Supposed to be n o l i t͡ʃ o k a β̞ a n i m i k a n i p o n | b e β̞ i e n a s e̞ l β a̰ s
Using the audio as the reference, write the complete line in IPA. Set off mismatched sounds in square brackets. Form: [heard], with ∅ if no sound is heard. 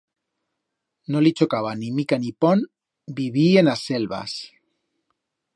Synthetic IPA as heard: n o l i t͡ʃ o k a β̞ a n i m i k a n i p o n | b [i] β̞ i e n a s e̞ l β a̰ s